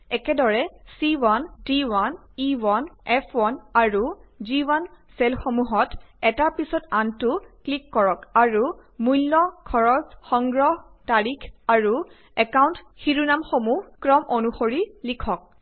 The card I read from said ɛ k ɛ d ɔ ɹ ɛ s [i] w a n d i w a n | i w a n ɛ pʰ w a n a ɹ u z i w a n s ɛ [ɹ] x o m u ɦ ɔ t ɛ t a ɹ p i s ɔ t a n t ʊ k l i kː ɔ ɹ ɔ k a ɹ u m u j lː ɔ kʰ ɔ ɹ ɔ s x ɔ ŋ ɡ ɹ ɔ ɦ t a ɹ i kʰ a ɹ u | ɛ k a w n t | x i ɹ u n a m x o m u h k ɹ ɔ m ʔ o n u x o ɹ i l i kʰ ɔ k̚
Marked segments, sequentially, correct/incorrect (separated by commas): correct, incorrect